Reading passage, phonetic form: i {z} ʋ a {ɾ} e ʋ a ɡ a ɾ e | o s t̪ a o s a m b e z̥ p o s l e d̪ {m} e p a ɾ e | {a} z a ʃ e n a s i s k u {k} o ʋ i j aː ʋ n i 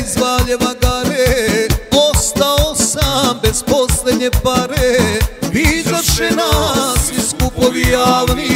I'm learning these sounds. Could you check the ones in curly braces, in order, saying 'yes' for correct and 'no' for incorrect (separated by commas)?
yes, no, no, no, no